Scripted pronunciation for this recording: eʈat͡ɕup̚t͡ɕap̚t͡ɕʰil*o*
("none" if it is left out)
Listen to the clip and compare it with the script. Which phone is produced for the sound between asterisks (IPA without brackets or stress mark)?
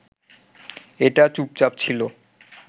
o